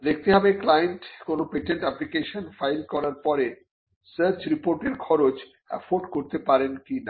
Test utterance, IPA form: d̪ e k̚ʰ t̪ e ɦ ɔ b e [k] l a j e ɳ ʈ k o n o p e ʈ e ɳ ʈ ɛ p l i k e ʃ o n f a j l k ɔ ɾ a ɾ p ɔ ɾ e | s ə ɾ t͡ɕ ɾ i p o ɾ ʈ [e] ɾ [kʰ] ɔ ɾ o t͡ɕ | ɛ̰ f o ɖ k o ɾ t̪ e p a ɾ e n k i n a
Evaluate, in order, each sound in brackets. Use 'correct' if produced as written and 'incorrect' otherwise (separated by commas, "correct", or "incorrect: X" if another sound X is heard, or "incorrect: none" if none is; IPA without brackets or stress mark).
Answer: correct, correct, correct